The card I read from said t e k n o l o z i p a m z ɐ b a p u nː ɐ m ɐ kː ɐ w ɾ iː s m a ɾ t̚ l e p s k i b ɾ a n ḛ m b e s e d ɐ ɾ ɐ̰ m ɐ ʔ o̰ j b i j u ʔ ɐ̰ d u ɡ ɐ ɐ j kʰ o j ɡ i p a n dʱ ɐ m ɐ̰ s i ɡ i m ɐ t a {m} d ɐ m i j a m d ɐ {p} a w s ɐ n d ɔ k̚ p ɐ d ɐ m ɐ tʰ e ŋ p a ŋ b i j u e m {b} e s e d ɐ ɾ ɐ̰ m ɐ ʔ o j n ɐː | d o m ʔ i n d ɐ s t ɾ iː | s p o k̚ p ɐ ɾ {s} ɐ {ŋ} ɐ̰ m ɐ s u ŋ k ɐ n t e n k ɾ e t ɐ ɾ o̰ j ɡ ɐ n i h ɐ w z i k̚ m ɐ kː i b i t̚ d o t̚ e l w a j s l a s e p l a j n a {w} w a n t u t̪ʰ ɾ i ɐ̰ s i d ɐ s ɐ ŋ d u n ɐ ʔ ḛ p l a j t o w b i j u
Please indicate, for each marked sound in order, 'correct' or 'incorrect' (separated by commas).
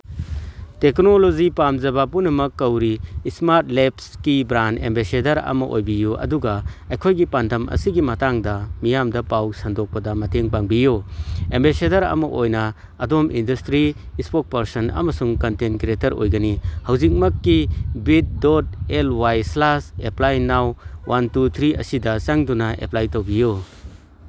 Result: incorrect, correct, correct, correct, incorrect, correct